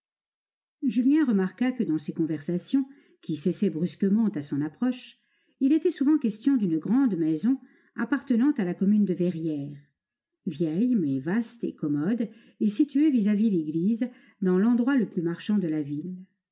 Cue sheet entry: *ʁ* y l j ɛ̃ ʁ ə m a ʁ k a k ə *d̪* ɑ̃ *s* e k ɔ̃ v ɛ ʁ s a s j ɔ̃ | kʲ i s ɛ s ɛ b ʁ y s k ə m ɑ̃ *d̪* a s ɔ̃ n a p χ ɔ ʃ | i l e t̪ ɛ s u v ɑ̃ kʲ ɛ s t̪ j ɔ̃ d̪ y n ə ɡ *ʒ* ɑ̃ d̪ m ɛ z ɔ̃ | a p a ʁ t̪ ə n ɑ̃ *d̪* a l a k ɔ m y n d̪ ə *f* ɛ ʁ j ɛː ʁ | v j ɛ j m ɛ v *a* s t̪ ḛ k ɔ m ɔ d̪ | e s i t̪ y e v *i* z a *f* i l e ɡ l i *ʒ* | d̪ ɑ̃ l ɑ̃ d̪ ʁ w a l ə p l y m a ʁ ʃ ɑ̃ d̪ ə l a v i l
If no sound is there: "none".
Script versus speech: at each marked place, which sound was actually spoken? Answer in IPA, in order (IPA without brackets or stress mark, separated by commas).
ʒ, d̪, s, t̪, ʁ, t̪, v, a, i, v, z